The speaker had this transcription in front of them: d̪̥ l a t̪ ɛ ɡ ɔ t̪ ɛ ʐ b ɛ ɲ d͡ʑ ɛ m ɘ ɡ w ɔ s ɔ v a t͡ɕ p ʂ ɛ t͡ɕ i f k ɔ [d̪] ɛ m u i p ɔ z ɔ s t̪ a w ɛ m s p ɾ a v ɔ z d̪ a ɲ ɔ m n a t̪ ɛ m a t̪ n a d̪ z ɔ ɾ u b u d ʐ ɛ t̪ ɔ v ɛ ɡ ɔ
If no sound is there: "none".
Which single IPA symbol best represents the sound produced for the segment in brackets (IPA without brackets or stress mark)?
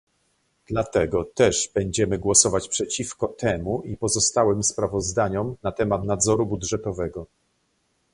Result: t̪